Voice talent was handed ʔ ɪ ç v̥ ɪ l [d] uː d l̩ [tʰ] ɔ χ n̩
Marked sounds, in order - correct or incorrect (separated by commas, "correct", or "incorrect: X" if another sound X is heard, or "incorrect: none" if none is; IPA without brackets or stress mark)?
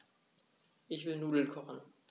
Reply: incorrect: n, incorrect: kʰ